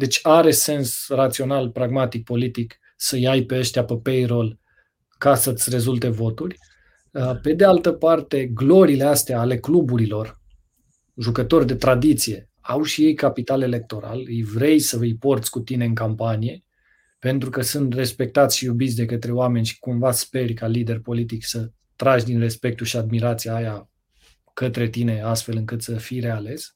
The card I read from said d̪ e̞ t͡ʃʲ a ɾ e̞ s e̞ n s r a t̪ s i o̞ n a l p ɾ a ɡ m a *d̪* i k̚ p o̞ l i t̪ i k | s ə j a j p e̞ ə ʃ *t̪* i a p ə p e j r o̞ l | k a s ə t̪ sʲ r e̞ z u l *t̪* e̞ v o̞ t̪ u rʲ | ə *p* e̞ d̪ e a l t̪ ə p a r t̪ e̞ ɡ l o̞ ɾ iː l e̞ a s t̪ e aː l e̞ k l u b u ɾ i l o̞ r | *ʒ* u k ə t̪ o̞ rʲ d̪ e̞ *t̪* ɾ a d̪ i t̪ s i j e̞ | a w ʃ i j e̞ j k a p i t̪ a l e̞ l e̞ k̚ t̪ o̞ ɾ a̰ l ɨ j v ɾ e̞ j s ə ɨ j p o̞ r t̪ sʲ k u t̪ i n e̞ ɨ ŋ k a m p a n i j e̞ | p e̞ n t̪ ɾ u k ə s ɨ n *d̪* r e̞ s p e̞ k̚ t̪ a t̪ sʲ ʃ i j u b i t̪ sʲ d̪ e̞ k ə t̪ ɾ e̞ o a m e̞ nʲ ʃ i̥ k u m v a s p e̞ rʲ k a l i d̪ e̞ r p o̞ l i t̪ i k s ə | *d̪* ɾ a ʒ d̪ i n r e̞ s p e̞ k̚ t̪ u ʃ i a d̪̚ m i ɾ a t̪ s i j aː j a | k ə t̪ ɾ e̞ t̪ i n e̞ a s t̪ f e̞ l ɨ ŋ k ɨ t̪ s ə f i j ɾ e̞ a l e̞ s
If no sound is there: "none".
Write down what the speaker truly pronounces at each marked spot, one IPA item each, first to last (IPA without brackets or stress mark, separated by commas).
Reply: t̪, t̪, t̪, p, ʒ, t̪, t̪, t̪